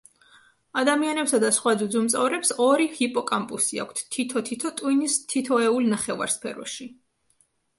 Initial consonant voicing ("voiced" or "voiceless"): voiced